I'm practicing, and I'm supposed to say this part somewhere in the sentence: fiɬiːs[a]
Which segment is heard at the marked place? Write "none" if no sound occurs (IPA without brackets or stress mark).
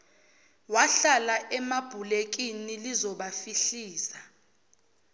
a